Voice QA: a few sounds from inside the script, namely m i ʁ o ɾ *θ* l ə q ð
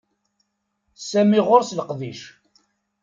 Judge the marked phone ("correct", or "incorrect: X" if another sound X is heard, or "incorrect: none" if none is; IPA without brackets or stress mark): incorrect: s